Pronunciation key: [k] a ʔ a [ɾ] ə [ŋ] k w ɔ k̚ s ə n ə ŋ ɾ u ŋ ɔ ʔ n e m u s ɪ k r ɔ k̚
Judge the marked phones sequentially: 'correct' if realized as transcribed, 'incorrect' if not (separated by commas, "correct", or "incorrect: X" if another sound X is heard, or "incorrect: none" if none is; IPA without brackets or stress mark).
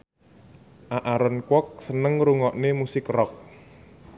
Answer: incorrect: ʔ, correct, incorrect: n